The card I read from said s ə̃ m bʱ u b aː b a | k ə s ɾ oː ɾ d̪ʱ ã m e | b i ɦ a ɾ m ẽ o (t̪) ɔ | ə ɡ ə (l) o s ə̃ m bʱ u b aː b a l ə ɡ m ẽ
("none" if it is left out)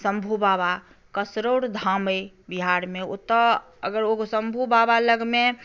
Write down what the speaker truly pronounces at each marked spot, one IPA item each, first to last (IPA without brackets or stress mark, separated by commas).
t̪, ɾ